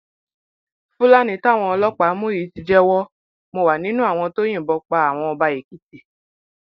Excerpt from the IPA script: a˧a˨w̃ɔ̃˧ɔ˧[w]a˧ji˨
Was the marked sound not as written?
yes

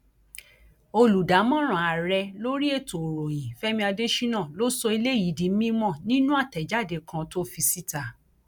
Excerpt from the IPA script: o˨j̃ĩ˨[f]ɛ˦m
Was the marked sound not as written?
no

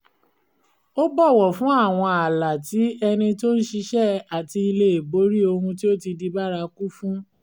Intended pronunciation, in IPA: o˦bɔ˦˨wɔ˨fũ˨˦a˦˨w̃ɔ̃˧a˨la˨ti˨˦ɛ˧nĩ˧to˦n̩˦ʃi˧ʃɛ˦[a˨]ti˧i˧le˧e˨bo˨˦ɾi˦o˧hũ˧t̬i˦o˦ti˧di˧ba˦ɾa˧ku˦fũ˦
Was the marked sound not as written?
no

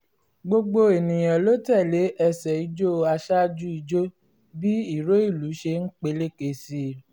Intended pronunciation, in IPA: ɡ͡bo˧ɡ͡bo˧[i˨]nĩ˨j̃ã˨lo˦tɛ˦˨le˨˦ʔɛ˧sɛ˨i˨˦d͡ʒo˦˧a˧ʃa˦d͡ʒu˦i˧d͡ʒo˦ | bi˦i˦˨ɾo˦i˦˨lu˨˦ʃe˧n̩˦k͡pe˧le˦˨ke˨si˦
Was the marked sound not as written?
yes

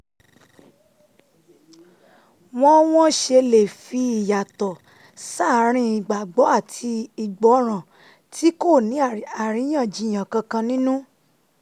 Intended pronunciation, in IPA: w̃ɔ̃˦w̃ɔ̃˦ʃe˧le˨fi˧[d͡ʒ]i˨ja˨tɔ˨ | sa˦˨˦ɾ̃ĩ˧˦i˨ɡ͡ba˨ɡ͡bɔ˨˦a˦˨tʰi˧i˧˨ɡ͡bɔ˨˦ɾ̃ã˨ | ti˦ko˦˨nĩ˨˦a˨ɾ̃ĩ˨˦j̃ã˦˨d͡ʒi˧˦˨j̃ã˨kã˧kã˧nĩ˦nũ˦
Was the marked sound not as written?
yes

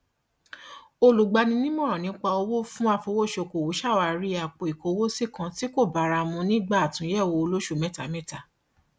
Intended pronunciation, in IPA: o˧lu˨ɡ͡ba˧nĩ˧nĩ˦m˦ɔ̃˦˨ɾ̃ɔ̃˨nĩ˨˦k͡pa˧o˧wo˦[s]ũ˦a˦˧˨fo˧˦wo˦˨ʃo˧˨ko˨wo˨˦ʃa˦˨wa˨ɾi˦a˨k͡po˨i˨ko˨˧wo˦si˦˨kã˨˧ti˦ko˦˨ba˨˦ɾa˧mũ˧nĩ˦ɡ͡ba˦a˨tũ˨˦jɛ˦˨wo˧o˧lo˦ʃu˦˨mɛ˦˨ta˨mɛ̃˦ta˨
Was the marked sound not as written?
yes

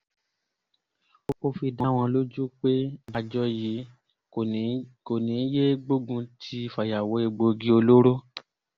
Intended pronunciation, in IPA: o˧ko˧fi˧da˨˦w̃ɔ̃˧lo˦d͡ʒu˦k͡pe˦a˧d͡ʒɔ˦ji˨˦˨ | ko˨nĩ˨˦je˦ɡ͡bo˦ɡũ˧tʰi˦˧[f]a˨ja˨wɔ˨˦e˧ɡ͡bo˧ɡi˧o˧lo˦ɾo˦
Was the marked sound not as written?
no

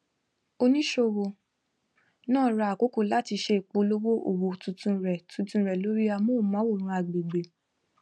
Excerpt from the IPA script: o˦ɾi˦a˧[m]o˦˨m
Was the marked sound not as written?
no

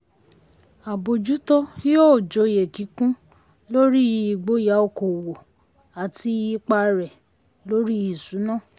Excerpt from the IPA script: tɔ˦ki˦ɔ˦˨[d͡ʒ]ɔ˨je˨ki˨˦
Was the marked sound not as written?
no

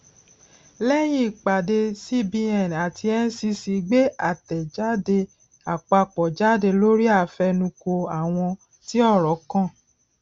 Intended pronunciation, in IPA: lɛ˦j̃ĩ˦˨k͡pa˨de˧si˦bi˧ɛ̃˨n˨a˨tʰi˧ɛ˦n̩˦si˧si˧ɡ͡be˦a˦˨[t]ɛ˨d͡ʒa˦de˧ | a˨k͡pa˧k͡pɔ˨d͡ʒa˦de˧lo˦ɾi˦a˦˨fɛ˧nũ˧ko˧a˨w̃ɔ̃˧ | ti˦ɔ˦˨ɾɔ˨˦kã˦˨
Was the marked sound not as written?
no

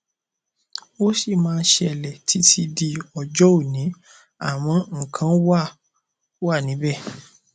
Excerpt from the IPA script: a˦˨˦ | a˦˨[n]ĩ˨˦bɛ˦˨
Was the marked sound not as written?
no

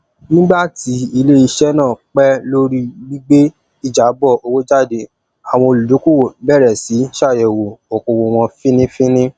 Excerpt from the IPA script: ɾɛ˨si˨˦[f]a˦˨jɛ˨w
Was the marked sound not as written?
yes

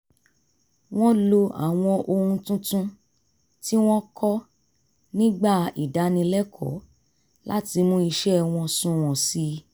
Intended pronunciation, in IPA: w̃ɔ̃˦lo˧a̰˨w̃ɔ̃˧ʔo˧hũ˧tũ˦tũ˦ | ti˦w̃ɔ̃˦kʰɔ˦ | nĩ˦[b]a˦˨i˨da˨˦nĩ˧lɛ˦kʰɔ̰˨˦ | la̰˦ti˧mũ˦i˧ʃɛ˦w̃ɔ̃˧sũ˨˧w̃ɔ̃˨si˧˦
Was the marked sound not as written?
yes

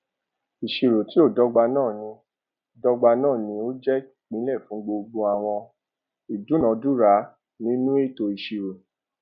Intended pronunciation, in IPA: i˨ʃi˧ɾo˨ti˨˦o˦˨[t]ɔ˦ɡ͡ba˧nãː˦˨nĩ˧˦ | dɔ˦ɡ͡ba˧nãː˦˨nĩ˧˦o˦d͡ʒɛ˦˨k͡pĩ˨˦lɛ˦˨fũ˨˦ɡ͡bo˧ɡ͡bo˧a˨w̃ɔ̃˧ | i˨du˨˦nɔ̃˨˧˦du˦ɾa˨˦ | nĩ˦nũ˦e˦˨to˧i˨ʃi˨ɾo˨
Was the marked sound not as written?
yes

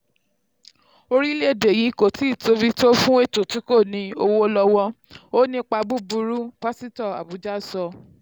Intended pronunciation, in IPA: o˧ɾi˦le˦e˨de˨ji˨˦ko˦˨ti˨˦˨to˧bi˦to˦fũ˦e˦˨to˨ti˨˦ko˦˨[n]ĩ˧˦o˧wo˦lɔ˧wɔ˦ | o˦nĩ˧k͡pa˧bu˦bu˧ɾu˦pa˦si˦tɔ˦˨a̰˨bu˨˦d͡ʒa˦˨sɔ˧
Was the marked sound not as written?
no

